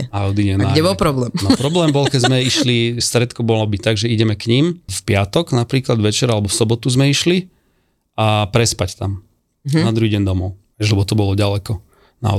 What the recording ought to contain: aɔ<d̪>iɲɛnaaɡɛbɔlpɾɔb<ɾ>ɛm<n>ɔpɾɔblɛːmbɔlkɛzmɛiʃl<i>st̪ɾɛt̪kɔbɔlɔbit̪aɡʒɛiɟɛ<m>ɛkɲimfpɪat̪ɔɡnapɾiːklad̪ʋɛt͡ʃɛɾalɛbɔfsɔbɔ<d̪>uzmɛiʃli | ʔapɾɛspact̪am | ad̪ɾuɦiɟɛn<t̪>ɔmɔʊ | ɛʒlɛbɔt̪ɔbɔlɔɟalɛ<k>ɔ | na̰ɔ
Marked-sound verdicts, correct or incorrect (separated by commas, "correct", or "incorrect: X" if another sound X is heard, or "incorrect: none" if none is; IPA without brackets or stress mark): correct, incorrect: l, correct, correct, correct, incorrect: t̪, incorrect: d̪, correct